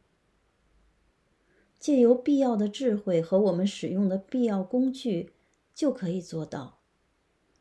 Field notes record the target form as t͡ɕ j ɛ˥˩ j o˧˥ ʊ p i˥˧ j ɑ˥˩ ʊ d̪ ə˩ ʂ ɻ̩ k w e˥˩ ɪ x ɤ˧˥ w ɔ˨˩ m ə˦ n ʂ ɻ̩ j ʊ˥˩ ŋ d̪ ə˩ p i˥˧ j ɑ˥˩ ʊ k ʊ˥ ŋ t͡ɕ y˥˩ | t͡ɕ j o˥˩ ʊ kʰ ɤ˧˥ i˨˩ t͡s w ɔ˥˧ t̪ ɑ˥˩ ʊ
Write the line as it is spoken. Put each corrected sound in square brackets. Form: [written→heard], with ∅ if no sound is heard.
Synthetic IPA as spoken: t͡ɕ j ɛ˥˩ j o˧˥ ʊ p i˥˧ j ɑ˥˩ ʊ d̪ ə˩ [ʂ→ʈ͡ʂ] ɻ̩ [k→x] w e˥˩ ɪ x ɤ˧˥ w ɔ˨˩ m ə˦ n ʂ ɻ̩ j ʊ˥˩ ŋ d̪ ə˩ p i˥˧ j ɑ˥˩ ʊ k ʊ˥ ŋ t͡ɕ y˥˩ | t͡ɕ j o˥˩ ʊ kʰ ɤ˧˥ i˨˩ t͡s w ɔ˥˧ t̪ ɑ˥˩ ʊ